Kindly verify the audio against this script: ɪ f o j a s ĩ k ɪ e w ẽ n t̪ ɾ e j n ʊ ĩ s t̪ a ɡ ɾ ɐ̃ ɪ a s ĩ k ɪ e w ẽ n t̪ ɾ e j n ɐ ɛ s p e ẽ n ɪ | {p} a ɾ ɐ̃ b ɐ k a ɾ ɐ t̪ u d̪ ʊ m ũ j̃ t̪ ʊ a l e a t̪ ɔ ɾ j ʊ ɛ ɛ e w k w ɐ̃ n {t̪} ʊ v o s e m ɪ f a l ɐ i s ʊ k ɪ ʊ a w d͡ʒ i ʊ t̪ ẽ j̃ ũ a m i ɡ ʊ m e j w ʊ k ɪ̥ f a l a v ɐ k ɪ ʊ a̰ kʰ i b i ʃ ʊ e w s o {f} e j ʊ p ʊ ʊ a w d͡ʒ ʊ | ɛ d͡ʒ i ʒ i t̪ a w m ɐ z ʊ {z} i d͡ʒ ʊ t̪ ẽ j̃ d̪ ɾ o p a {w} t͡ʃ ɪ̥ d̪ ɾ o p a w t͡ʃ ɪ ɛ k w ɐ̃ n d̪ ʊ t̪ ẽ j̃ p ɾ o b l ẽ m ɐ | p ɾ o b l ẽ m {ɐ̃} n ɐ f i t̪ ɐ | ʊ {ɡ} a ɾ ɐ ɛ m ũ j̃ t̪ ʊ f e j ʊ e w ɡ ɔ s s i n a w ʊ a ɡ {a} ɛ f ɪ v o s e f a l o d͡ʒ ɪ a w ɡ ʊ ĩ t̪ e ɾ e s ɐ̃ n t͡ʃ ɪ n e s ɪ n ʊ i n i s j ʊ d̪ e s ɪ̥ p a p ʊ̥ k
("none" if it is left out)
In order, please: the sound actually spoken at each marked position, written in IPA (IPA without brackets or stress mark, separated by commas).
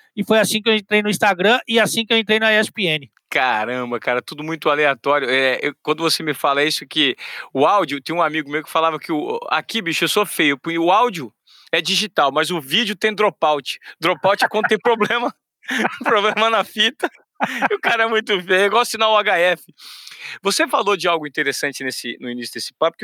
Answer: k, d̪, f, v, w, ɐ, k, a